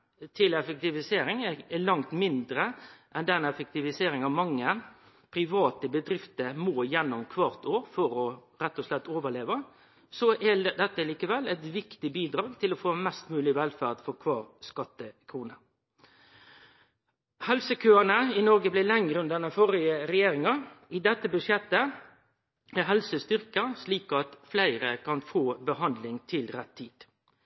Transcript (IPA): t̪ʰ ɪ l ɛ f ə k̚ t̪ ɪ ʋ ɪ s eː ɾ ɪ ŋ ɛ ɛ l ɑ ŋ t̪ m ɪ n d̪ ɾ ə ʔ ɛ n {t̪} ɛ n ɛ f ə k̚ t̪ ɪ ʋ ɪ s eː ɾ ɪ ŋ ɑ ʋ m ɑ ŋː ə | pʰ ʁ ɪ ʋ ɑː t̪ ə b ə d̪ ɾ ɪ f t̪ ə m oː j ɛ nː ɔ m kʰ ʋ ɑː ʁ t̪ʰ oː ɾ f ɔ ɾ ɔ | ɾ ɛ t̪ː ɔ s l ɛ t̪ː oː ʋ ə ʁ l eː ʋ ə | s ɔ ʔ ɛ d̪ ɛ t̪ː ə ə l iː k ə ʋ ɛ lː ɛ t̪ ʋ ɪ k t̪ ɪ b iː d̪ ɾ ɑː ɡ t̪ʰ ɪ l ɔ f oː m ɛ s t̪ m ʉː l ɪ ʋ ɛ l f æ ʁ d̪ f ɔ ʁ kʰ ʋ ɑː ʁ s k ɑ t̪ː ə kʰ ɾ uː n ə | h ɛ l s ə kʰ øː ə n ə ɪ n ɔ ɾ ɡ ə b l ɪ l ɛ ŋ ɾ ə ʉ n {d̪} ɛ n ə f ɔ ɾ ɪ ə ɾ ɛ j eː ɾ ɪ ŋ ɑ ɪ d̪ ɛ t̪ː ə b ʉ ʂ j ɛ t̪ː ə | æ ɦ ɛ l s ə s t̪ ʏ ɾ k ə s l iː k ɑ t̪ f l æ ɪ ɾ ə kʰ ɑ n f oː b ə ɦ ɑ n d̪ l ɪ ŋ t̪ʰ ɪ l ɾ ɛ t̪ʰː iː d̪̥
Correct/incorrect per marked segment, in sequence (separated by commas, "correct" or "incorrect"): incorrect, correct